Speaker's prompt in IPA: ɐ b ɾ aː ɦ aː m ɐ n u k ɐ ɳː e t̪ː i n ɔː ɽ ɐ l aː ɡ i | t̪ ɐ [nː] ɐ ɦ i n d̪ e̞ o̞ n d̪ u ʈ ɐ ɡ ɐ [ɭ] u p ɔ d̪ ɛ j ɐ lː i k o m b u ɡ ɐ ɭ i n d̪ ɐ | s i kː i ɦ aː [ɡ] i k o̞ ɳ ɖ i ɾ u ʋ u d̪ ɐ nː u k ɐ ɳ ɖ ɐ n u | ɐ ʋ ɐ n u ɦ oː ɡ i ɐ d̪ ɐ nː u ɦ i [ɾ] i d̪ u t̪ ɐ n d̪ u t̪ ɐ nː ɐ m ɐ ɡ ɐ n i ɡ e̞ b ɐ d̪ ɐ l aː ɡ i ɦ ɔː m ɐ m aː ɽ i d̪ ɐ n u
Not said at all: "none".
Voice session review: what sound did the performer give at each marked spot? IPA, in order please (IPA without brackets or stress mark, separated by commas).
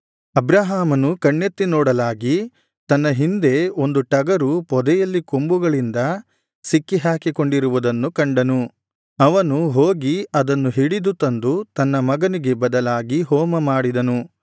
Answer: nː, ɾ, k, ɽ